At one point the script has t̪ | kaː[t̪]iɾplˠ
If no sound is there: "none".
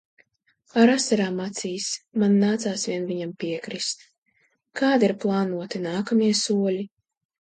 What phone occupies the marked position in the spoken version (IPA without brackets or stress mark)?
d̪